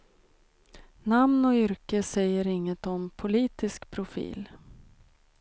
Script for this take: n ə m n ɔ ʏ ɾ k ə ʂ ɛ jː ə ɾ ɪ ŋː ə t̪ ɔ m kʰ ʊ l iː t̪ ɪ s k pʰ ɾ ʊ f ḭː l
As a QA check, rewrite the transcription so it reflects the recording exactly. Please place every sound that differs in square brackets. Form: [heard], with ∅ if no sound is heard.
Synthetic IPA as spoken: n [a] m n ɔ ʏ ɾ k ə [s] ɛ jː ə ɾ ɪ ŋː ə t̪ ɔ m [pʰ] ʊ l iː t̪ ɪ s k pʰ ɾ ʊ f ḭː l

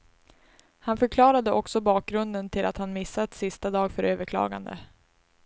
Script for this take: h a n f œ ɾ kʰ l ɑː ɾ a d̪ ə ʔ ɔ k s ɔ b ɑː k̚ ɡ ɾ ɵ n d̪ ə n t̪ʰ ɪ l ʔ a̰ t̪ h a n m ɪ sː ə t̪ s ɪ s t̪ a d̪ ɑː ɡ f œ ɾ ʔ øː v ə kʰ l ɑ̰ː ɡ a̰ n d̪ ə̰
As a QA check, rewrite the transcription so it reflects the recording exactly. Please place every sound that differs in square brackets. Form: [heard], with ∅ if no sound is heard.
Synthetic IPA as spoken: h a n f œ ɾ kʰ l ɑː ɾ a d̪ ə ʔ ɔ k s ɔ b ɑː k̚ ɡ ɾ ɵ n d̪ ə n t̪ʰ ɪ l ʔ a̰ t̪ h a n m ɪ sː [a] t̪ s ɪ s t̪ a d̪ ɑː ɡ f œ ɾ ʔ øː v ə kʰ l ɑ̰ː ɡ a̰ n d̪ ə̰

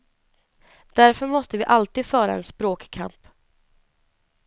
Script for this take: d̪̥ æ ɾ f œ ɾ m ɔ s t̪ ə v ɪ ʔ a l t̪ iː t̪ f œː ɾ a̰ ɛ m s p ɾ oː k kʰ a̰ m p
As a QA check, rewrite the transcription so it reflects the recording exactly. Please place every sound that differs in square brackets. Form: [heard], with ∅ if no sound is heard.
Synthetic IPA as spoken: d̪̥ æ ɾ f œ ɾ m ɔ s t̪ ə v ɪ ʔ a l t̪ iː [d̪] f œː ɾ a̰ ɛ [n] s p ɾ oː k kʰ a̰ m p

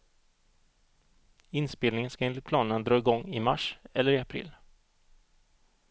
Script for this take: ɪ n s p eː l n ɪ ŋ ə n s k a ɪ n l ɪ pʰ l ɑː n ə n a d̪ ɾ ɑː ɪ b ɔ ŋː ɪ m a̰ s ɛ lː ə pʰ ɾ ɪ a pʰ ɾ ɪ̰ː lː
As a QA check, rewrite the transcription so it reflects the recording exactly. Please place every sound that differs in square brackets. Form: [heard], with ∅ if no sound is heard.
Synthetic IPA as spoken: ɪ n s p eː l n ɪ ŋ ə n s k a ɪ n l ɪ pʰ l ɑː n ə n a d̪ ɾ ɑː ɪ [ɡ] ɔ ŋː ɪ m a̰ [ʂ] ɛ lː ə [∅] ɾ ɪ a pʰ ɾ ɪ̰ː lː

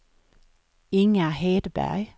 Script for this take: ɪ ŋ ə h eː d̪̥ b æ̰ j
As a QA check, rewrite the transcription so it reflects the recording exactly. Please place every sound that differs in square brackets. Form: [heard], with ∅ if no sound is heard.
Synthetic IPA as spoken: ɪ ŋ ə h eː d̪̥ b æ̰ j

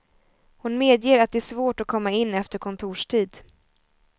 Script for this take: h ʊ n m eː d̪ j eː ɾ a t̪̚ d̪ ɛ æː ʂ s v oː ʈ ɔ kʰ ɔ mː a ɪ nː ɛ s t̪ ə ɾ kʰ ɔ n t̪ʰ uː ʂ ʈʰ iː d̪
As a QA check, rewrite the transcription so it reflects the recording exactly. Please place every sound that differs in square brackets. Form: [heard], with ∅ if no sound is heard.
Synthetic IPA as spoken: h ʊ n m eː d̪ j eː ɾ a t̪̚ d̪ ɛ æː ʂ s v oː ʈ ɔ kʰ ɔ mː a ɪ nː ɛ [f] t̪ ə ɾ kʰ ɔ n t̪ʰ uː ʂ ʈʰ iː d̪

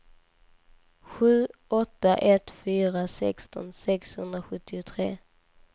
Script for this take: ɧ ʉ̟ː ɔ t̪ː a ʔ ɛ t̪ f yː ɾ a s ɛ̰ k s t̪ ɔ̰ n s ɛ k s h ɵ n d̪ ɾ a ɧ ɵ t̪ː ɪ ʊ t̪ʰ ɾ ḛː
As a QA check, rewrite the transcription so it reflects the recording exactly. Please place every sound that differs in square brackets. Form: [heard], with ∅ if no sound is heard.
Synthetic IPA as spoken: ɧ ʉ̟ː ɔ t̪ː a ʔ ɛ t̪ f yː ɾ a s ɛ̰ k s t̪ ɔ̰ n s ɛ k s h ɵ n d̪ ɾ a ɧ ɵ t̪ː ɪ ʊ t̪ʰ ɾ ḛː

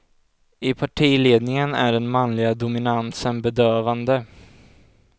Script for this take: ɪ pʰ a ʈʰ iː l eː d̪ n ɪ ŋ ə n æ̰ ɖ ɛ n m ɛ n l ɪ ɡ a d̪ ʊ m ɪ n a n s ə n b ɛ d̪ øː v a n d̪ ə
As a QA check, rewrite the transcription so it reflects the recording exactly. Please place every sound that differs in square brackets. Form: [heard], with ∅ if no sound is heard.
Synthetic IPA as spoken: ɪ pʰ a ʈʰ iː l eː d̪ n ɪ ŋ ə n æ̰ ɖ ɛ n m [a] n l ɪ ɡ a d̪ ʊ m ɪ n a n s ə n b ɛ d̪ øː v a n d̪ ə

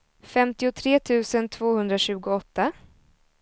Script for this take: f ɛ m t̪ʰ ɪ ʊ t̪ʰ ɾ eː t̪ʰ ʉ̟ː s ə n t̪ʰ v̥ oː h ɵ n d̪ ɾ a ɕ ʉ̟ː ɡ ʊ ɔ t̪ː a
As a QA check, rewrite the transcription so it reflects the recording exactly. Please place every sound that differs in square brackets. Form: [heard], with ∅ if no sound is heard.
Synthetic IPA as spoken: f ɛ m [t̪] ɪ ʊ t̪ʰ ɾ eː t̪ʰ ʉ̟ː s ə n t̪ʰ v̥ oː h ɵ n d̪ ɾ a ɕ ʉ̟ː ɡ ʊ ɔ t̪ː a

